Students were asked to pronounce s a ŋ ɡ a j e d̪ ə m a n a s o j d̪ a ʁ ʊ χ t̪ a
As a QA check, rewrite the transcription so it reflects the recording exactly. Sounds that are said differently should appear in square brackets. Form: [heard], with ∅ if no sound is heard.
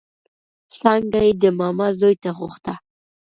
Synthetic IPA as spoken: s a ŋ ɡ a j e d̪ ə m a [m] a [z] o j [t̪] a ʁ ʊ χ t̪ a